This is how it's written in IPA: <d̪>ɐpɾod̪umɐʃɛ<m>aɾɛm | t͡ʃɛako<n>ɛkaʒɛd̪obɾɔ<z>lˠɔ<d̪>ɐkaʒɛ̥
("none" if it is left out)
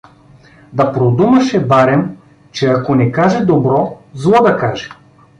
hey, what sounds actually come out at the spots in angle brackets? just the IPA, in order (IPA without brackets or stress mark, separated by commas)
d̪, b, n, z, d̪